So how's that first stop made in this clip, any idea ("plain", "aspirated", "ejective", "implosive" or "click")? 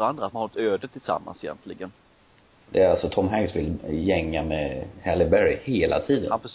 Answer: plain